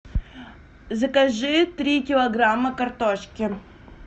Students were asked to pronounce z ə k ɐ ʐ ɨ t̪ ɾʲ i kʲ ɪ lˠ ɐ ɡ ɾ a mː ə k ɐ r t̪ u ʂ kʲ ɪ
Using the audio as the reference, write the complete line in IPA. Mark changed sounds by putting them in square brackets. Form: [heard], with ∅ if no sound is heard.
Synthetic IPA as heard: z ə k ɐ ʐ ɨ t̪ ɾʲ i kʲ ɪ lˠ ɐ ɡ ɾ a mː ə k ɐ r t̪ [o] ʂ kʲ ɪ